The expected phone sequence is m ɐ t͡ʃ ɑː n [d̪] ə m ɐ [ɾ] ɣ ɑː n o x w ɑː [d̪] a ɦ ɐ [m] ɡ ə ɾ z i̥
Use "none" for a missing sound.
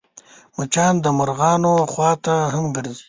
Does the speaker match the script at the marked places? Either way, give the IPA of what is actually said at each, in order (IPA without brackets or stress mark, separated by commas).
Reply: d̪, ɾ, t̪, m